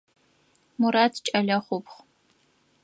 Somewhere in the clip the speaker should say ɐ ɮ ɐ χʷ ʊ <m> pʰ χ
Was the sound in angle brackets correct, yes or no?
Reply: no